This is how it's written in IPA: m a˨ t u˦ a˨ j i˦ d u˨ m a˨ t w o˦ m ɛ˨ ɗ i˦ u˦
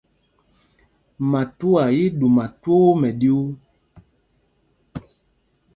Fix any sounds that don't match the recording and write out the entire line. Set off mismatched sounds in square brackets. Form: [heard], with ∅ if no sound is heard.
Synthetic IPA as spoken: m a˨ t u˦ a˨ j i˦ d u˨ m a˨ t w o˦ m ɛ˨ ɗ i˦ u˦

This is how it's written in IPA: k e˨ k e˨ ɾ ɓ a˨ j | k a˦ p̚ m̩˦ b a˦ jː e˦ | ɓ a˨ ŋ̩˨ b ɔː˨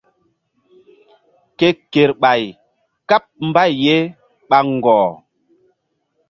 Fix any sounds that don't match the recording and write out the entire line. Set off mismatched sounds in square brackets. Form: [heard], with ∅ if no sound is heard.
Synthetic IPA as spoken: k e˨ k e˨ ɾ ɓ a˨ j | k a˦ p̚ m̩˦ b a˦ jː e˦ | ɓ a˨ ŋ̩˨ [ɡ] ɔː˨

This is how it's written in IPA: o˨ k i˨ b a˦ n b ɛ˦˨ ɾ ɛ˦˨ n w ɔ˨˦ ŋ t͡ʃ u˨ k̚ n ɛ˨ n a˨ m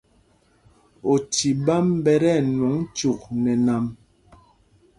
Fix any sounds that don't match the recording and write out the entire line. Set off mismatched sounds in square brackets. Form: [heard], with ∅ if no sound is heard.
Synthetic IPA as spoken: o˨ [t] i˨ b a˦ [m] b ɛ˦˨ ɾ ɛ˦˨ n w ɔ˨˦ ŋ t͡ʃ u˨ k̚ n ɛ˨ n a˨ m

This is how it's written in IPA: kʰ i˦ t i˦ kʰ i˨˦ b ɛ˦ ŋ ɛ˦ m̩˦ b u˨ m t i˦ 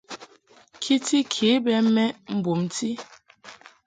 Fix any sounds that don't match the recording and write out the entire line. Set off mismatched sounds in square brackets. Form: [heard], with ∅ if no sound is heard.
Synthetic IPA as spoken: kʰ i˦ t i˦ kʰ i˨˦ b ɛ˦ [m] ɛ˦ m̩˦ b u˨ m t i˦

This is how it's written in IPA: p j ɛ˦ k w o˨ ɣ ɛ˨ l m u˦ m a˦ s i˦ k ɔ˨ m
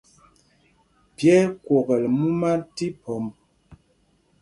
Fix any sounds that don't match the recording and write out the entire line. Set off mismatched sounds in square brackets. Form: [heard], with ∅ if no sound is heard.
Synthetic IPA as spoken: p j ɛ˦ k w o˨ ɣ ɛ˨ l m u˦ m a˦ [t] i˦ [p] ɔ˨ m

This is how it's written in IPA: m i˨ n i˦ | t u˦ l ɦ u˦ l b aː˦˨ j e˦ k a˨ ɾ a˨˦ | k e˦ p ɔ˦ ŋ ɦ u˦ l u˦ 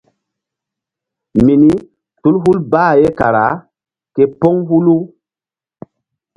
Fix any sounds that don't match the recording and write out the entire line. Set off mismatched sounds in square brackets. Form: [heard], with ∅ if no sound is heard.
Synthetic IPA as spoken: m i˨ n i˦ | t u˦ l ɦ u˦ l b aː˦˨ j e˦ k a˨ ɾ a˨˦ | k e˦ p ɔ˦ ŋ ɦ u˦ l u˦

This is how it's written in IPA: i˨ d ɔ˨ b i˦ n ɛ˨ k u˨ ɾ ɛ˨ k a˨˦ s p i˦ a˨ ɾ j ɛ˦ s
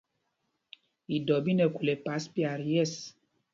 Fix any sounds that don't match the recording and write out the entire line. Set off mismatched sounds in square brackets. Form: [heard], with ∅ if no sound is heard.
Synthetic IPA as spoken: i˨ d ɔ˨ b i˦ n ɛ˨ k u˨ [l] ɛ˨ [p] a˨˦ s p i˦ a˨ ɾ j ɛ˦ s

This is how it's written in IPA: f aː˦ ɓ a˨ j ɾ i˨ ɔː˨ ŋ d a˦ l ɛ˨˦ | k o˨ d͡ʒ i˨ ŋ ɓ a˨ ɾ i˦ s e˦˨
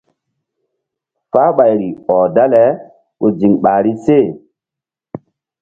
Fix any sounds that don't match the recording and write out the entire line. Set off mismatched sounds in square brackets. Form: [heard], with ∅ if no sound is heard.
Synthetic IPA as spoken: f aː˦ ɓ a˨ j ɾ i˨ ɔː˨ [∅] d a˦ l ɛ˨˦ | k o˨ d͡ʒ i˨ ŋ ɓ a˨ ɾ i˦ s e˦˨

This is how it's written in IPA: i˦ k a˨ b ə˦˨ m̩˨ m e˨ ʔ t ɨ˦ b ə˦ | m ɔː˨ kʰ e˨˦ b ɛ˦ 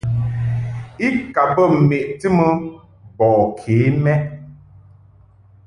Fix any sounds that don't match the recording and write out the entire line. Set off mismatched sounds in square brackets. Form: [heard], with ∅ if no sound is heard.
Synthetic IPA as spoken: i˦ k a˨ b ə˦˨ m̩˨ m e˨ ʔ t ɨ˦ [m] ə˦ | [b] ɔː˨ kʰ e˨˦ [m] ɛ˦

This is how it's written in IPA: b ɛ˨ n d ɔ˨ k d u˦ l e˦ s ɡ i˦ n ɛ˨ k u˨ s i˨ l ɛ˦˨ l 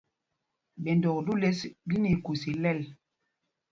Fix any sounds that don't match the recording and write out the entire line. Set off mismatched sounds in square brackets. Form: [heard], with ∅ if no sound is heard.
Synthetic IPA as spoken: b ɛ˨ n d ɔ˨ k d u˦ l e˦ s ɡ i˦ n [i˨] k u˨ s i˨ l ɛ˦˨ l

